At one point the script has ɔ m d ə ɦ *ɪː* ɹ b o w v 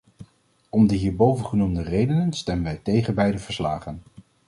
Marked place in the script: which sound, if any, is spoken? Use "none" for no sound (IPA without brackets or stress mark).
iː